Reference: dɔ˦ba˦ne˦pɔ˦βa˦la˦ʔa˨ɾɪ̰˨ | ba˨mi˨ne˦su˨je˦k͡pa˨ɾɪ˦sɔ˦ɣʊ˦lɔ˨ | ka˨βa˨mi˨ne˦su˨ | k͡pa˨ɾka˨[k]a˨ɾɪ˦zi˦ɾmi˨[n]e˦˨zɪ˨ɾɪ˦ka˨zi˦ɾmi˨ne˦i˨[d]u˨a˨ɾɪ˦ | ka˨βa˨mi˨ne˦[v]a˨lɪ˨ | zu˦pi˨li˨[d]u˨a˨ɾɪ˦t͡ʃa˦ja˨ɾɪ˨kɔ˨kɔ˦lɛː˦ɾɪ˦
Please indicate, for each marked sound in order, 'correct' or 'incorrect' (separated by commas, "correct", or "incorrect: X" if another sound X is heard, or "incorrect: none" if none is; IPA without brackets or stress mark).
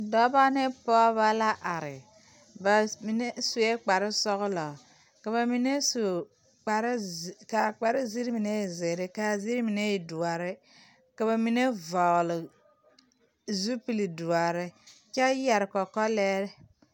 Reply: incorrect: k͡p, correct, correct, correct, correct